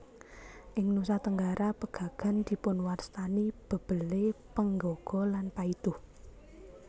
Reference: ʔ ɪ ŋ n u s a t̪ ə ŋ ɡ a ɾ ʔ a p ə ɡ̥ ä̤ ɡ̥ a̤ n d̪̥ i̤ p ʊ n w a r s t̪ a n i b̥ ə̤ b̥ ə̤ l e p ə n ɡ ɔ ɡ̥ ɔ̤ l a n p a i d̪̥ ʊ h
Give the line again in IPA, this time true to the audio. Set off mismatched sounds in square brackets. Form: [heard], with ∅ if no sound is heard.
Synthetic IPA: ʔ ɪ ŋ n u s a t̪ ə ŋ ɡ a ɾ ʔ a p ə ɡ̥ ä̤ ɡ̥ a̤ n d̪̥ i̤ p ʊ n w a r s t̪ a n i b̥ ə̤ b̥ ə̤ l e p ə [ŋ] ɡ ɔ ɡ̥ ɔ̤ l a n p a i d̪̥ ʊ h